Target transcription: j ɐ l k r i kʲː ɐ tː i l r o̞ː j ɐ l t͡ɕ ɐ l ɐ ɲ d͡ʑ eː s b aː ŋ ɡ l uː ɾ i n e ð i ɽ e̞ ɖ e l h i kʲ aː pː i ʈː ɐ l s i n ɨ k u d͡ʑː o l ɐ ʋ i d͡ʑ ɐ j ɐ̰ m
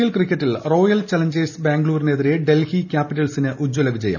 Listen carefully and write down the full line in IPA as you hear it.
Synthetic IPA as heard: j ɐ l k r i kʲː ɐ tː i l r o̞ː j ɐ l t͡ɕ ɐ l ɐ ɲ d͡ʑ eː s b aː ŋ ɡ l uː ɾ i n e ð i ɾ e̞ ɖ e l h i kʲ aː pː i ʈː ɐ l s i n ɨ ʔ u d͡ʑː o l ɐ ʋ i d͡ʑ ɐ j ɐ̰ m